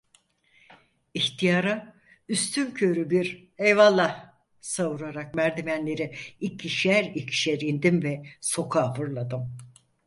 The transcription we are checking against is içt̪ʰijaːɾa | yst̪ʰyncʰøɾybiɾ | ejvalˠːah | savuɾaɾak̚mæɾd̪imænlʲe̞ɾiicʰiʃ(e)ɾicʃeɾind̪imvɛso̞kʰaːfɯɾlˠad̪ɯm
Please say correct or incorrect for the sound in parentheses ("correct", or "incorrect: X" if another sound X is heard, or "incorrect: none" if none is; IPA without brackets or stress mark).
incorrect: æ